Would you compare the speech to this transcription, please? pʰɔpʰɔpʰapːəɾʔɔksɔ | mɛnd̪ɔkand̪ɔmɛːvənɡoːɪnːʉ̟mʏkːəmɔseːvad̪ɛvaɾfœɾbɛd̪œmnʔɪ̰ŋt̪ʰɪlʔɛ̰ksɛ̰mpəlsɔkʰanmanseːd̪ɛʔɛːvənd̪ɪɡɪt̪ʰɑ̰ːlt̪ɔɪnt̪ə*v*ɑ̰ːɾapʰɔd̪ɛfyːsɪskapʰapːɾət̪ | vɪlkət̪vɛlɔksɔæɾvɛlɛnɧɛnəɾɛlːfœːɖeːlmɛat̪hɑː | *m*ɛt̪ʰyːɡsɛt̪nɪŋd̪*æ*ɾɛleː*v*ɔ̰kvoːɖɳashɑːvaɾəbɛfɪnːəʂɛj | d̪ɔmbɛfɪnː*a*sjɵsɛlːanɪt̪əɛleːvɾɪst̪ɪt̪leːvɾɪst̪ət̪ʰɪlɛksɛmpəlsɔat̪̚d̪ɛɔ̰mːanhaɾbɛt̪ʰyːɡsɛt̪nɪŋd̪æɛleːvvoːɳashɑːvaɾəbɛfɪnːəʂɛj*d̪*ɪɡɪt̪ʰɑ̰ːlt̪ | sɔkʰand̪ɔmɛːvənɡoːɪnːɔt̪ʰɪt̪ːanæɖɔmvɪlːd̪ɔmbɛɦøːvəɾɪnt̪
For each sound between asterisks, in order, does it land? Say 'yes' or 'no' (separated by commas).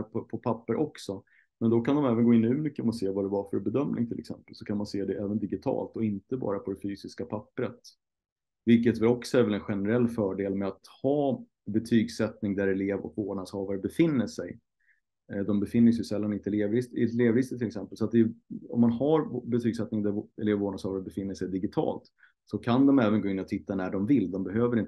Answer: no, no, yes, yes, no, yes